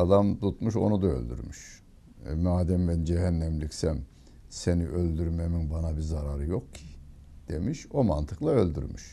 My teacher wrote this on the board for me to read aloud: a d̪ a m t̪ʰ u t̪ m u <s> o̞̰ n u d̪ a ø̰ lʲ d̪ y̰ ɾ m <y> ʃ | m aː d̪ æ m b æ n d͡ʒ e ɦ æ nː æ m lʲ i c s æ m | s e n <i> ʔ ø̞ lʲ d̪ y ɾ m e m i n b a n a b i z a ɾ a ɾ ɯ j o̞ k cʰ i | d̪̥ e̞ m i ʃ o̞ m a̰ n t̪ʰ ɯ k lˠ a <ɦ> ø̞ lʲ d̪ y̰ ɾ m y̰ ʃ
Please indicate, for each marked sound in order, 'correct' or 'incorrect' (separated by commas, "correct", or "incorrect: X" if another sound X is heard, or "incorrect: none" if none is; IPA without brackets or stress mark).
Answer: incorrect: ʃ, correct, correct, incorrect: none